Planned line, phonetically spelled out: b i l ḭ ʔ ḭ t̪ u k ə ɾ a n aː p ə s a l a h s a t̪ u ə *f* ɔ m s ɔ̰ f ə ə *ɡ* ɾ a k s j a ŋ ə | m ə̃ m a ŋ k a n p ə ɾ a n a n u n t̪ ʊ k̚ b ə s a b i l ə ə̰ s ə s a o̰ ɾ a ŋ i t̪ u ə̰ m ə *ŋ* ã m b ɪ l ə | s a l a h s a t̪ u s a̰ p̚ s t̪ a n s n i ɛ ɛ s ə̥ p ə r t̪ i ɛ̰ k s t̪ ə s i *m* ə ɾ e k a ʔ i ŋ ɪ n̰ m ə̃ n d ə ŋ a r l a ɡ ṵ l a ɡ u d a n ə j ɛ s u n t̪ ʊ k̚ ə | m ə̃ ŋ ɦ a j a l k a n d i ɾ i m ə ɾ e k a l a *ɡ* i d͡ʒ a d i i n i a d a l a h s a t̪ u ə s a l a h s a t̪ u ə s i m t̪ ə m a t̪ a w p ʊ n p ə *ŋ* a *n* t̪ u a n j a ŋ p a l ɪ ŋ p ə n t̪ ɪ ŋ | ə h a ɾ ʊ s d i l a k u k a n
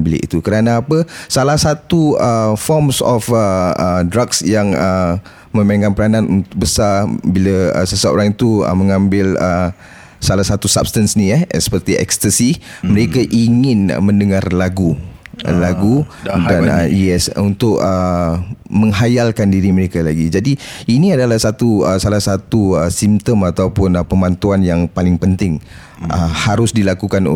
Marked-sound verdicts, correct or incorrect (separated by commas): correct, incorrect, correct, correct, correct, incorrect, correct